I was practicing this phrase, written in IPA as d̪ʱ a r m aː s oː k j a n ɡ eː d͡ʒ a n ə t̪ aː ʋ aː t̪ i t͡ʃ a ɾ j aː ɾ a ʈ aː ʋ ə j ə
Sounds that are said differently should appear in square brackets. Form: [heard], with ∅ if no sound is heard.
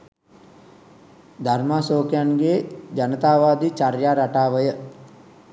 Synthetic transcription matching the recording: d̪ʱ a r m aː s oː k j a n ɡ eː d͡ʒ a n ə t̪ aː ʋ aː [d̪] i t͡ʃ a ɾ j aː ɾ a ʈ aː ʋ ə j ə